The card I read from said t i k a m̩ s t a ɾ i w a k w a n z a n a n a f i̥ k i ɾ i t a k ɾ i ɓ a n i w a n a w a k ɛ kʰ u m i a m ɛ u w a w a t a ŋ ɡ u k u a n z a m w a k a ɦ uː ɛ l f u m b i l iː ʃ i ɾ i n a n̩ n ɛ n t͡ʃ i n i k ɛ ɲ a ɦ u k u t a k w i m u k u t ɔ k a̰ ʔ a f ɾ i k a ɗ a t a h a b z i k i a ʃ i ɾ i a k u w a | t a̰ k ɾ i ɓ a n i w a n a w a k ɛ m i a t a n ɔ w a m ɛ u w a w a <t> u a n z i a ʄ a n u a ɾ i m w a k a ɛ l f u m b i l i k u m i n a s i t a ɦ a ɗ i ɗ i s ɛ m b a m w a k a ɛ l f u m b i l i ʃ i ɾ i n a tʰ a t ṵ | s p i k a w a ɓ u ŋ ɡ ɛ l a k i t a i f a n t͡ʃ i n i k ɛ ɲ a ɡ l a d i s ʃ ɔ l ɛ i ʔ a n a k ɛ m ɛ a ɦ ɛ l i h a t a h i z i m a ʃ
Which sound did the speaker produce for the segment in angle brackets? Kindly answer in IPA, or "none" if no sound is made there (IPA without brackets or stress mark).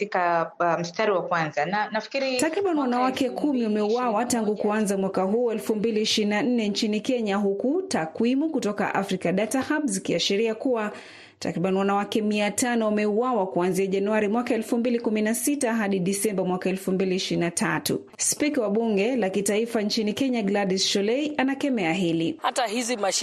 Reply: k